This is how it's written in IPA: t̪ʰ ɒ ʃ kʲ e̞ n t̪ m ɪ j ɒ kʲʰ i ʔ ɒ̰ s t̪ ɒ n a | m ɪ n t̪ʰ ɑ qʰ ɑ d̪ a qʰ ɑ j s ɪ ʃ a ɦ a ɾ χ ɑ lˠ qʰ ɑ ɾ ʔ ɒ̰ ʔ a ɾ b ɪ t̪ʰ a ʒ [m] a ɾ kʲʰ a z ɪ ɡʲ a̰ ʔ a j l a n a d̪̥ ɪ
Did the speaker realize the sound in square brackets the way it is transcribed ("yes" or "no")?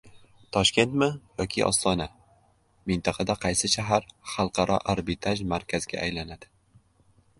yes